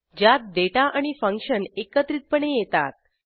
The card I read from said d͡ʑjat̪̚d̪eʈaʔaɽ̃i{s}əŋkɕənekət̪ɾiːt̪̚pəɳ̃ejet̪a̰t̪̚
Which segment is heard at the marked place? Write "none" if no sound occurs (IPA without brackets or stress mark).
f